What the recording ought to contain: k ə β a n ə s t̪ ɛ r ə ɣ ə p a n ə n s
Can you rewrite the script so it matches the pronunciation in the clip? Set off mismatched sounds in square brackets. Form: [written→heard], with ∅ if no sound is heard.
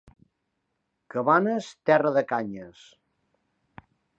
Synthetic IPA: k ə β a n ə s t̪ ɛ r ə [ɣ→ð] ə [p→k] a [n→ɲ] ə [n→∅] s

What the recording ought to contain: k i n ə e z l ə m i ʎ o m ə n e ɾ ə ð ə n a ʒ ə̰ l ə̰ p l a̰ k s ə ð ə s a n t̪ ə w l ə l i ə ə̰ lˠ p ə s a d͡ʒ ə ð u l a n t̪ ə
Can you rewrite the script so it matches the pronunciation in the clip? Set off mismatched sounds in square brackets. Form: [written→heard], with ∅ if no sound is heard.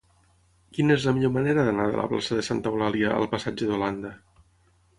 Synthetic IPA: k i n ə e z l ə m i ʎ o m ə n e ɾ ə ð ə n a [ʒ→ð] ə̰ l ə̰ p l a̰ [k→∅] s ə ð ə s a n t̪ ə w l [ə→a] l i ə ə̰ lˠ p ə s a d͡ʒ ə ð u l a n [t̪→d̪] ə

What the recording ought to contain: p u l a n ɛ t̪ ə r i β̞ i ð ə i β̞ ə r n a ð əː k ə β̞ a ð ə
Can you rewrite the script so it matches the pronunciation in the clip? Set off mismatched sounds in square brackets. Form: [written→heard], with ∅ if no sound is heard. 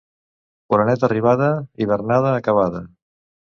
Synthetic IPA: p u [l→ɾ] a n ɛ t̪ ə r i β̞ [i→a] ð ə i β̞ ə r n a ð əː k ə β̞ a ð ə

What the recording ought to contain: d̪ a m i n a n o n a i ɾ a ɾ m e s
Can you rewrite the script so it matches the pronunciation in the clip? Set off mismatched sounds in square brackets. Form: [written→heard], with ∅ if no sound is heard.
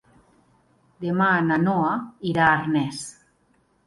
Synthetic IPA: d̪ [a→e] m [i→a] n a n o [n→∅] a i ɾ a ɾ [m→n] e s

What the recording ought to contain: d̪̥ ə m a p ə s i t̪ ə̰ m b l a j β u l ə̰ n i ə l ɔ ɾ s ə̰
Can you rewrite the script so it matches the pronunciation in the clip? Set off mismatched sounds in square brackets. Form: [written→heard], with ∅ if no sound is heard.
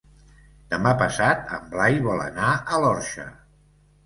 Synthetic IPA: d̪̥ ə m a p ə s [i→a] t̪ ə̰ m b l a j β [u→ɔ] l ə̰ n [i→a] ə l ɔ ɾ [s→ʃ] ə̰

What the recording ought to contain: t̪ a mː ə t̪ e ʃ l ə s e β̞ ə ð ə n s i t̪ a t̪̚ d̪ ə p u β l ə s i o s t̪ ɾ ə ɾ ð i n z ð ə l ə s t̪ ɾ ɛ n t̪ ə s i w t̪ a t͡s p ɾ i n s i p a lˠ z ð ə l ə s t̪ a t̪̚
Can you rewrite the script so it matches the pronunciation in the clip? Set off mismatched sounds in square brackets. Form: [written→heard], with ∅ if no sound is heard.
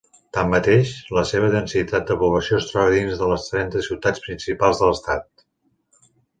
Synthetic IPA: t̪ a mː ə t̪ e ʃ l ə s e β̞ ə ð ə n s i t̪ a t̪̚ d̪ ə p u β l ə s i o s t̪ ɾ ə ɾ ð i n z ð ə l ə s t̪ ɾ ɛ n t̪ ə s i w t̪ a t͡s p ɾ i n s i p a lˠ z ð ə l ə s t̪ a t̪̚

